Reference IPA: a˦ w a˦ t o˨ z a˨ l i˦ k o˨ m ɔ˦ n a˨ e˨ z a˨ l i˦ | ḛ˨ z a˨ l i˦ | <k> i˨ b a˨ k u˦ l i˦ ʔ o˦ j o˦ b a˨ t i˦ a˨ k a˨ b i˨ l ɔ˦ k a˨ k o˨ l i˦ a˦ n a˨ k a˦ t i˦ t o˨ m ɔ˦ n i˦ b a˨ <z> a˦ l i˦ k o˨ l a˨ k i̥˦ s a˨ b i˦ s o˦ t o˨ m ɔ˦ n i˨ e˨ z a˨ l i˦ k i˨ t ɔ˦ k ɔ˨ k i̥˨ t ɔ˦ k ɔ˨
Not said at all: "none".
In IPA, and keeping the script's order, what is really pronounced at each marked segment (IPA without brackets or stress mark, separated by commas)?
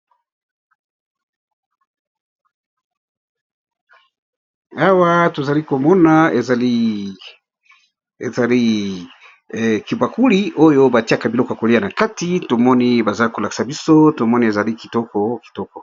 k, z